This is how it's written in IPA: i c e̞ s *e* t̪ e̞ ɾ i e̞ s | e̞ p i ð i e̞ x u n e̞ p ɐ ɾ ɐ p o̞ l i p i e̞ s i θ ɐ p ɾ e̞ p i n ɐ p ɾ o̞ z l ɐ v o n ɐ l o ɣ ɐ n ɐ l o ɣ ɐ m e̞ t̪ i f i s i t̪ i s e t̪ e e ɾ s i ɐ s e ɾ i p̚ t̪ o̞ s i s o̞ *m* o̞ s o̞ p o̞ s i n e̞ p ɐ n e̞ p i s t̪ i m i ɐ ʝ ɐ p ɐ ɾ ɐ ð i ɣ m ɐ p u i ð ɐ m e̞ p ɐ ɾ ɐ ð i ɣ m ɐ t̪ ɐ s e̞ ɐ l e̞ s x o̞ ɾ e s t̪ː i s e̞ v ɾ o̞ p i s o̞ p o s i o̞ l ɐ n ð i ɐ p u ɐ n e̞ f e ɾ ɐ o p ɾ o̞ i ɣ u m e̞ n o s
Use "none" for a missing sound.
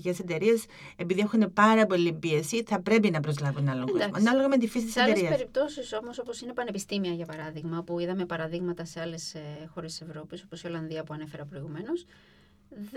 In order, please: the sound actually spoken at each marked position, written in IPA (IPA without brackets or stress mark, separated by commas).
e, m